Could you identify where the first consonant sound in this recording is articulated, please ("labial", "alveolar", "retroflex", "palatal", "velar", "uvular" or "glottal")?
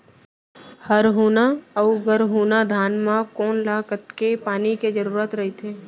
glottal